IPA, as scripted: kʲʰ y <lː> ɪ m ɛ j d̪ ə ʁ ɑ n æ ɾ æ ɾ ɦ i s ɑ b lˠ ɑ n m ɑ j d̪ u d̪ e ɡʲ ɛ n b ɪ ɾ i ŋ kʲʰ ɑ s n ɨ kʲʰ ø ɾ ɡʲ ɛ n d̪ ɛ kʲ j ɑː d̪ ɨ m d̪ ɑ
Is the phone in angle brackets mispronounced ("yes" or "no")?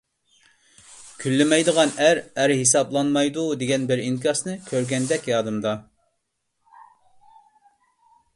no